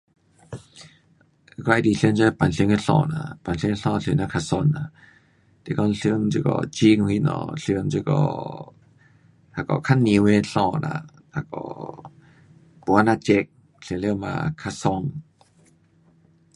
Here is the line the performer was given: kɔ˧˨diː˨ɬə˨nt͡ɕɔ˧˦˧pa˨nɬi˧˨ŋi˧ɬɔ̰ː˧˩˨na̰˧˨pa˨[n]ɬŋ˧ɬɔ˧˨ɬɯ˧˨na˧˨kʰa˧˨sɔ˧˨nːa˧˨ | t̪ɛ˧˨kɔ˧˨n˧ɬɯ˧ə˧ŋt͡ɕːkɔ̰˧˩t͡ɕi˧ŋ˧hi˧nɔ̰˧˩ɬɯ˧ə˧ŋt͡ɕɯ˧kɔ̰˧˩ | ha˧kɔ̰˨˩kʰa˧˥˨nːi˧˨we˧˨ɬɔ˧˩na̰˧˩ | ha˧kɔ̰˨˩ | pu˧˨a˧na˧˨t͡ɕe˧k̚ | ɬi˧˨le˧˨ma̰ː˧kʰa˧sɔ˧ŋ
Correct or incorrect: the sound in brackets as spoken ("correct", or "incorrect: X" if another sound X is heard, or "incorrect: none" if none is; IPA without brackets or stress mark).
correct